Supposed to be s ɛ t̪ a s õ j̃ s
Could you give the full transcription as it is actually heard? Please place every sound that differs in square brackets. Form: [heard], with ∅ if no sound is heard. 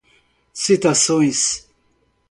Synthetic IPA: s [i] t̪ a s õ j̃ s